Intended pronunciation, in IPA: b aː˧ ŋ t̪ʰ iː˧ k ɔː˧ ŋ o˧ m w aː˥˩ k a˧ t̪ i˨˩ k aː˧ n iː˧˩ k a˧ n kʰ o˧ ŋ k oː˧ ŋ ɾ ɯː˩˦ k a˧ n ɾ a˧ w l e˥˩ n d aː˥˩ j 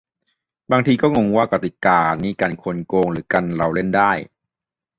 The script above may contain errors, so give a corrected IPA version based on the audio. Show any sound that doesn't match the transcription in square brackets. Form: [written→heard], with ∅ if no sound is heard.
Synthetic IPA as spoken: b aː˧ ŋ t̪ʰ iː˧ k [ɔː˧→ɔː˥˩] ŋ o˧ [m→ŋ] w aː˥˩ k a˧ t̪ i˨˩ k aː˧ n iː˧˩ k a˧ n kʰ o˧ [ŋ→n] k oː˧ ŋ ɾ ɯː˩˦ k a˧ n ɾ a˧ w l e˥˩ n d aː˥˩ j